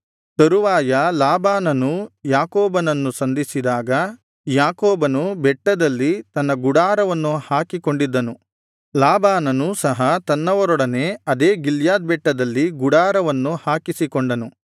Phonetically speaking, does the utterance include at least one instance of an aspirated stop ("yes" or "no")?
no